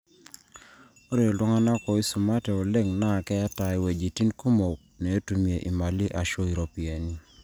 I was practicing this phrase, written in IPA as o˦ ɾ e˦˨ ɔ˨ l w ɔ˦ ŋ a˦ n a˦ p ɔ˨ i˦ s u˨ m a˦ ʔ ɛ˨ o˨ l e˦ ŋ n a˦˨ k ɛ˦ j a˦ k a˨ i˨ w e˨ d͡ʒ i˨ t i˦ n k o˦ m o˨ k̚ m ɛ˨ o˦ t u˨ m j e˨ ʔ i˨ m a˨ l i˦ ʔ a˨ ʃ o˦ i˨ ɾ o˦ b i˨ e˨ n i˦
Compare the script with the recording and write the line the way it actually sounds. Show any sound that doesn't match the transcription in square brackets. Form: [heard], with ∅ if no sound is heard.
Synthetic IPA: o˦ ɾ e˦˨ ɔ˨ l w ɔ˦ ŋ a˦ n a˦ [k] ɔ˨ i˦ s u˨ m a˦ [t] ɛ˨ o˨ l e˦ ŋ n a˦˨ k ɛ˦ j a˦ [t] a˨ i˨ w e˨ d͡ʒ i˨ t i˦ n k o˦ m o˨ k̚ [n] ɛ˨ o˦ t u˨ m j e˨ ʔ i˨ m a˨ l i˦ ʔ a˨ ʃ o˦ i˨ ɾ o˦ [p] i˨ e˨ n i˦